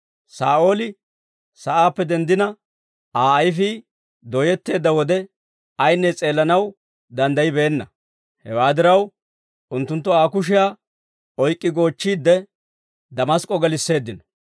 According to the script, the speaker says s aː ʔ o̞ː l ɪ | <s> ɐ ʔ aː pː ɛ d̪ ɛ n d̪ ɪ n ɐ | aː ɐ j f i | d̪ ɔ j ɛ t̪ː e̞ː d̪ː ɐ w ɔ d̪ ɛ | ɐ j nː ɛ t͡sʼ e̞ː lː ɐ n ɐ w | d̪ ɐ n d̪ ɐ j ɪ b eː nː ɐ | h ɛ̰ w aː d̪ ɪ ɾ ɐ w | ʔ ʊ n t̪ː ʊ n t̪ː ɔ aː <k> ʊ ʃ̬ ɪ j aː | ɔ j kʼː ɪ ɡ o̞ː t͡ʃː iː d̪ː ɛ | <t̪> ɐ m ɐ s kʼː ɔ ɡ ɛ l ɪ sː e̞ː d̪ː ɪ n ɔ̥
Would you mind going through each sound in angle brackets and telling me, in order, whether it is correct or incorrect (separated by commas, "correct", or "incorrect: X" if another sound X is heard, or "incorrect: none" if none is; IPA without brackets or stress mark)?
correct, correct, incorrect: d̪